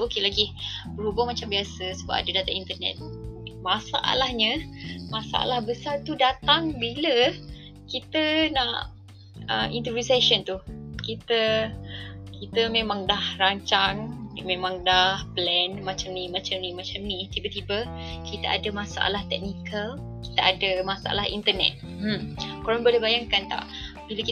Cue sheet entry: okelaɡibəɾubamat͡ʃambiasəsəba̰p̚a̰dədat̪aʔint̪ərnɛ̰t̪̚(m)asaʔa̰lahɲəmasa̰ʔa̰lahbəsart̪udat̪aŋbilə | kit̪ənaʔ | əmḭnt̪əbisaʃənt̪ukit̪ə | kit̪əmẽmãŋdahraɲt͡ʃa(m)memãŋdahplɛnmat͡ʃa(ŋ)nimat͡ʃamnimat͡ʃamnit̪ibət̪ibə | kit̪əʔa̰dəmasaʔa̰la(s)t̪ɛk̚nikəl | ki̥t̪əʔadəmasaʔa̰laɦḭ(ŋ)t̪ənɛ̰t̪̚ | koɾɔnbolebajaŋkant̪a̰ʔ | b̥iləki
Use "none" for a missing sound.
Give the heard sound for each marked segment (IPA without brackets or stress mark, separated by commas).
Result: m, ŋ, m, h, n